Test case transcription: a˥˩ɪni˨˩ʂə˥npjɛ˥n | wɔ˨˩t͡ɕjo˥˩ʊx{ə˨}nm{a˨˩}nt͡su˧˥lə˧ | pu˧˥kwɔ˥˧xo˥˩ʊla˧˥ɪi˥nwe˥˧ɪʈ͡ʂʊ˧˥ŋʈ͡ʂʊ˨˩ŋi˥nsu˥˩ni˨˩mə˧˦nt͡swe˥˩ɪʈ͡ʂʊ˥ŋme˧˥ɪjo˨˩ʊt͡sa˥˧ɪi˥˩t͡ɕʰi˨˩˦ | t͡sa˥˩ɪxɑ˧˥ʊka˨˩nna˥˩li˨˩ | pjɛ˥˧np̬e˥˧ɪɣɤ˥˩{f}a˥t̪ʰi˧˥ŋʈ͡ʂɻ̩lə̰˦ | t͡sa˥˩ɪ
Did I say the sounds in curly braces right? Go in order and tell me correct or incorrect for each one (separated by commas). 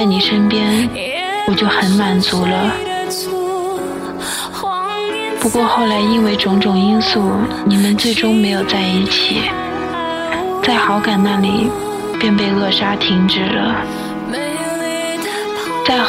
incorrect, correct, incorrect